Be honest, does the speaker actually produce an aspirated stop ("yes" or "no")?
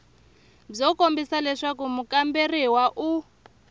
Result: no